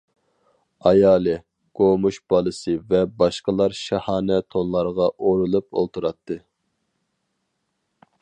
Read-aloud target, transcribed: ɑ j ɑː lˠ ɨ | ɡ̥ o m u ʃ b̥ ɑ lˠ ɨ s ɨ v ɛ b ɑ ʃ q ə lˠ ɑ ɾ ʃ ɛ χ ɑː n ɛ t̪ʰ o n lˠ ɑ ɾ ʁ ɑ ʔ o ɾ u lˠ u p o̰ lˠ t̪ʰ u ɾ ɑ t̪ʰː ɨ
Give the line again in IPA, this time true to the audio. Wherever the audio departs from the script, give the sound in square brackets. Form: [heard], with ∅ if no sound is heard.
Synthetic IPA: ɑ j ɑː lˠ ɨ | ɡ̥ o m u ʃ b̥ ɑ lˠ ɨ s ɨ v ɛ b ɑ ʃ q ə lˠ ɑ ɾ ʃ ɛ [h] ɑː n ɛ t̪ʰ o n lˠ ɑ ɾ ʁ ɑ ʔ o ɾ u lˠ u p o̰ lˠ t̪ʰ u ɾ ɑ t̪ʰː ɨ